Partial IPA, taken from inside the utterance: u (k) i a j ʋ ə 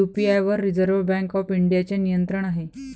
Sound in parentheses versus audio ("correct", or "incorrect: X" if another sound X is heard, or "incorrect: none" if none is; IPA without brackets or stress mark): incorrect: p